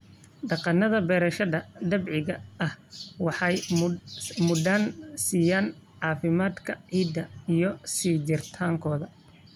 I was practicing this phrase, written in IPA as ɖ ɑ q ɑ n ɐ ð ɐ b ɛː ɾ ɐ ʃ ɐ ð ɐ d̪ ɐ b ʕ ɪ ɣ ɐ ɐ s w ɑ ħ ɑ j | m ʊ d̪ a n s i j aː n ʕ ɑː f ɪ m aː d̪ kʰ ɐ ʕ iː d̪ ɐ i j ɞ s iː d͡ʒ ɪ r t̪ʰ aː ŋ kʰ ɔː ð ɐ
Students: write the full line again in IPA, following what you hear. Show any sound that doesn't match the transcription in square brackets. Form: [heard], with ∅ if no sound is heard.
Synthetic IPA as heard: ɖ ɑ q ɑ n ɐ ð ɐ b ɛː ɾ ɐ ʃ ɐ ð ɐ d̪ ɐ b ʕ ɪ ɣ ɐ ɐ [h] w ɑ ħ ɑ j | m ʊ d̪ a n s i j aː n ʕ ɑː f ɪ m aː d̪ kʰ ɐ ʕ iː d̪ ɐ i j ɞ s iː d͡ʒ ɪ r t̪ʰ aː ŋ kʰ ɔː ð ɐ